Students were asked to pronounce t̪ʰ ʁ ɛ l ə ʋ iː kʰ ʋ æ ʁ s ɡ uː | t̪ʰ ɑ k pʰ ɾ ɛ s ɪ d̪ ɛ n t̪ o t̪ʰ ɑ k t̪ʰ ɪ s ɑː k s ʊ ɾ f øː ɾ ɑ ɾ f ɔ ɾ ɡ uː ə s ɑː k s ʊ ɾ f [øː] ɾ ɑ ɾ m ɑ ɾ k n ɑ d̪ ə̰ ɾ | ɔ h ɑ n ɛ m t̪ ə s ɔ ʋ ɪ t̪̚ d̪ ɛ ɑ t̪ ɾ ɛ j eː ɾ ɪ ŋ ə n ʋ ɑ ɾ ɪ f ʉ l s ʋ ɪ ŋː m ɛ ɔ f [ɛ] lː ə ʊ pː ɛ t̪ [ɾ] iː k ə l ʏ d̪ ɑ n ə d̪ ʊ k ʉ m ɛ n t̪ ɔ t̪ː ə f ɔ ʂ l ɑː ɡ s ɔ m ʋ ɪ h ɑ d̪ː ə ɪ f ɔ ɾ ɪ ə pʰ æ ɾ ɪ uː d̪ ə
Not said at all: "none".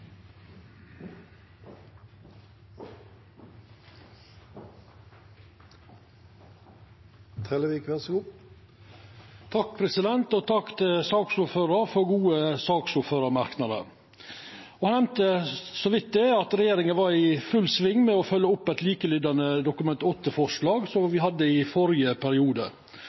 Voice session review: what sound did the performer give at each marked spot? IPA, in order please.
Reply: øː, œ, l

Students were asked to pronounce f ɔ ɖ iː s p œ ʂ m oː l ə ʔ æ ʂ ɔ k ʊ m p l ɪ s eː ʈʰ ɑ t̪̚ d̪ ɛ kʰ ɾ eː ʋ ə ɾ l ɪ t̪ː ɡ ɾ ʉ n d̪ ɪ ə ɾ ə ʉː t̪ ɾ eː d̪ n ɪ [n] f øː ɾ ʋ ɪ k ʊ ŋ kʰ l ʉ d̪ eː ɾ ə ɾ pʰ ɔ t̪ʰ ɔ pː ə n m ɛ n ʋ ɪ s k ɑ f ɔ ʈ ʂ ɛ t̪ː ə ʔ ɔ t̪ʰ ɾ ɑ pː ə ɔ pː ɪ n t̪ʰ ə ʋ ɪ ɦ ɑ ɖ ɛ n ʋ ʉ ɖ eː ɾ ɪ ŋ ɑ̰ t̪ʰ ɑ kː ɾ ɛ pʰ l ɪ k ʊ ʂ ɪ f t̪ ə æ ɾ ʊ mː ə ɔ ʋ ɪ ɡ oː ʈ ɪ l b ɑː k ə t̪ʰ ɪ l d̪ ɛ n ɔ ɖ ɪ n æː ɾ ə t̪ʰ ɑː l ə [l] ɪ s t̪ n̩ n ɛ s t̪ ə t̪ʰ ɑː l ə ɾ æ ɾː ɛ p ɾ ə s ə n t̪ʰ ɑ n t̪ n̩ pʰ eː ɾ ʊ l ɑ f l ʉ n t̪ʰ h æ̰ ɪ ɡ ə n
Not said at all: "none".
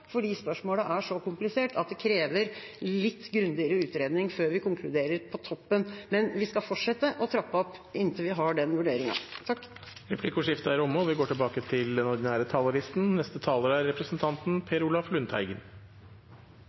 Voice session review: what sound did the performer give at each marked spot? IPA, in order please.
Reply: ŋ, ɾ

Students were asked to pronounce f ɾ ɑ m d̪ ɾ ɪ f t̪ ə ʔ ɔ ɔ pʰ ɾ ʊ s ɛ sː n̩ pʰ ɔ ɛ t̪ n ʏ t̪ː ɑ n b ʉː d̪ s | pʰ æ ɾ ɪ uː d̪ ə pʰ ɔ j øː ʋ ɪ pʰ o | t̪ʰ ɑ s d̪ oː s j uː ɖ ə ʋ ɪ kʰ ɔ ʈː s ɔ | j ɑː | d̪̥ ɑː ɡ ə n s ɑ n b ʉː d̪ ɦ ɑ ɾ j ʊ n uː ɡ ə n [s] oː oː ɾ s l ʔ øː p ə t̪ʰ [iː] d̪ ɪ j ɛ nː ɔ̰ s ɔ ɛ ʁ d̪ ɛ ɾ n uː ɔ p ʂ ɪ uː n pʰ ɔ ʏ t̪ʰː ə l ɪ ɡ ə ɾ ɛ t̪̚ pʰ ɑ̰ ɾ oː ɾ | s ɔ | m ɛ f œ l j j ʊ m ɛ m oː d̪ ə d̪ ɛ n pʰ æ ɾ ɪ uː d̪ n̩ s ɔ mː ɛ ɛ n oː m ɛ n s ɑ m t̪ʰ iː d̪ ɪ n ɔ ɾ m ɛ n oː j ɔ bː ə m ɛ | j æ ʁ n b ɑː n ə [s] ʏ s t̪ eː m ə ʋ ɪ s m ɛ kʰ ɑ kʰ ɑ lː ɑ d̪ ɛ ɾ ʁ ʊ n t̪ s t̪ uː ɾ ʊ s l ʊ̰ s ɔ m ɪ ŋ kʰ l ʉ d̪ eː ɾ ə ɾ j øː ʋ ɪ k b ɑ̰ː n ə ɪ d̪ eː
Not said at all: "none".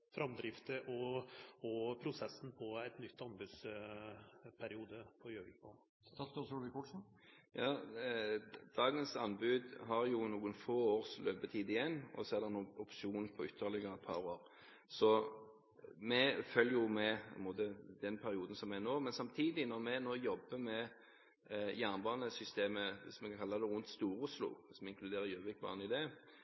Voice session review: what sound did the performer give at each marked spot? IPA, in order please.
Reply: f, iː, s

